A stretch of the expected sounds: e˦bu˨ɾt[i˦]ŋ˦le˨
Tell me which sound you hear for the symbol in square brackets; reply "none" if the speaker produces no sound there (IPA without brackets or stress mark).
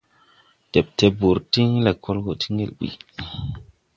i˦